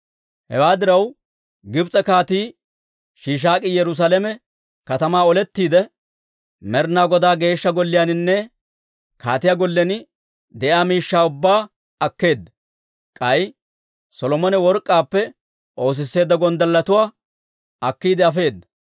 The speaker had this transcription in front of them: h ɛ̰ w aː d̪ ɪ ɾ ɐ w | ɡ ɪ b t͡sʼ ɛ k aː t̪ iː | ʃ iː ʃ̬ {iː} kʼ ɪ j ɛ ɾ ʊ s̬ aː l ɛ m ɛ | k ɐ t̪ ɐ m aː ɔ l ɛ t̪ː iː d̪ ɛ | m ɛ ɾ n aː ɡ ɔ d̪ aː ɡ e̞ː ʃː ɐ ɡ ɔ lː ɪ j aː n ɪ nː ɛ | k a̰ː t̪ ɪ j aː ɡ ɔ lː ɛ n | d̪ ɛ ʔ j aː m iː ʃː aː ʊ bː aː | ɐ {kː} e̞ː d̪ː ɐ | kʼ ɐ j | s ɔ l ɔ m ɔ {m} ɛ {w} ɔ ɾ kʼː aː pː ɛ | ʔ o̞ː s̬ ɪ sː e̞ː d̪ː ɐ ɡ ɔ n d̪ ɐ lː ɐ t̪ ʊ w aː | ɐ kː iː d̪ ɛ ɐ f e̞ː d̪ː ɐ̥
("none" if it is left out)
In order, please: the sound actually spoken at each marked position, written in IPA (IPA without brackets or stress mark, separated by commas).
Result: aː, kː, n, w